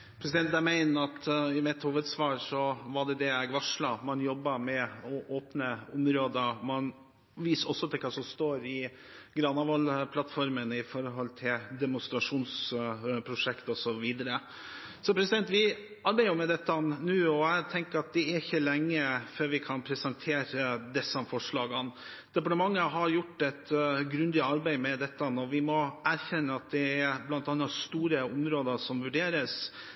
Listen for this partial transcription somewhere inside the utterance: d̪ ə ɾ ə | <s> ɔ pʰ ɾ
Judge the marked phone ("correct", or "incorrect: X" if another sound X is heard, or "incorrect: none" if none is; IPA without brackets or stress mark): correct